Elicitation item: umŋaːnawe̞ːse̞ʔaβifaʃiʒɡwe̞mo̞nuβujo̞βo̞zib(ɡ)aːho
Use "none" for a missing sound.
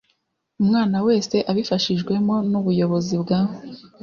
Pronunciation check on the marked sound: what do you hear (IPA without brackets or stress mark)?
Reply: ɡ